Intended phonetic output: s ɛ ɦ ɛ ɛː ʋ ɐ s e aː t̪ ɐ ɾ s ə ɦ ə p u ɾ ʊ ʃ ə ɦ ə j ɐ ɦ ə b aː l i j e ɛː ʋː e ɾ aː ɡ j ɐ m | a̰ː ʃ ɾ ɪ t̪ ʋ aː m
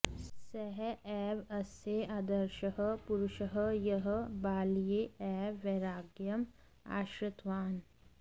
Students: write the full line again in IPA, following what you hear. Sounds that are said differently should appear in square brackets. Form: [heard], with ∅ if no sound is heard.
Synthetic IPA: s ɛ ɦ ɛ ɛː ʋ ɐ s e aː [d̪] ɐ ɾ [ʃ] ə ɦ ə p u ɾ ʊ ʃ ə ɦ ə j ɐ ɦ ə b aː l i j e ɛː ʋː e ɾ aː ɡ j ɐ m | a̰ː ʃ ɾ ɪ t̪ ʋ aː [n]